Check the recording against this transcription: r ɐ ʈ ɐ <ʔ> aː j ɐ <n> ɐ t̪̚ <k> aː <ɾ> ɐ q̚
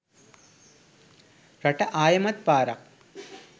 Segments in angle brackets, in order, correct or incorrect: correct, incorrect: m, incorrect: p, correct

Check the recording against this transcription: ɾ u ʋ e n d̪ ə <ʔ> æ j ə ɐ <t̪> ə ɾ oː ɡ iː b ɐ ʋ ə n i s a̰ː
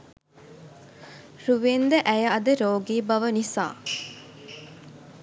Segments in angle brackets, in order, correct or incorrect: correct, incorrect: d̪

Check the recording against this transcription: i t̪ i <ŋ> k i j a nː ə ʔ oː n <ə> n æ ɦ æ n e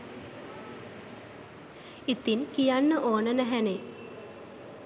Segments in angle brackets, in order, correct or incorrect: incorrect: n, correct

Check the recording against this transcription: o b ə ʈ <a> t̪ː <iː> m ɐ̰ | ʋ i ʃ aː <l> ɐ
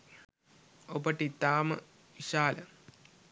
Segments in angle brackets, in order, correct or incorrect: incorrect: i, incorrect: aː, correct

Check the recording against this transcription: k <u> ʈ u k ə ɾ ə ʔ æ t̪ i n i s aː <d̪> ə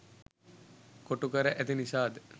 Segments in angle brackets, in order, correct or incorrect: incorrect: o, correct

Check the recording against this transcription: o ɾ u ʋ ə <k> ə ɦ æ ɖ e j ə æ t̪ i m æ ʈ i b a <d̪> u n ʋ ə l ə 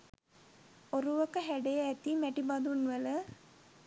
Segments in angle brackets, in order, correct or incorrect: correct, correct

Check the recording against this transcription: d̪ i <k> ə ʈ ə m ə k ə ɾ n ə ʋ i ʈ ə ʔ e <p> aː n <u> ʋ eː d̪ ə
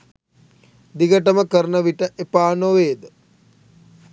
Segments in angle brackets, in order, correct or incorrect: incorrect: ɡ, correct, incorrect: o

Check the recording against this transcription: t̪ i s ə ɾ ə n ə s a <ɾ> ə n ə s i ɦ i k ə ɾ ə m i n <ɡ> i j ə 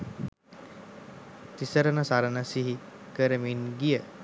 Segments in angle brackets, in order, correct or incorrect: correct, correct

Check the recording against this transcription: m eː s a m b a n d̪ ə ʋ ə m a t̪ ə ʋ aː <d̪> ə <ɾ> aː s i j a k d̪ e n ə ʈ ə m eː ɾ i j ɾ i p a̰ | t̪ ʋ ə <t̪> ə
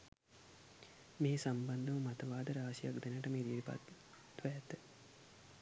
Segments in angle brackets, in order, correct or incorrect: correct, correct, correct

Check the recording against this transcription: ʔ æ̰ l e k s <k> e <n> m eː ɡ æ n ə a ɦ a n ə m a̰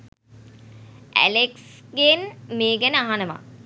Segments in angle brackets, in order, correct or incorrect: incorrect: ɡ, correct

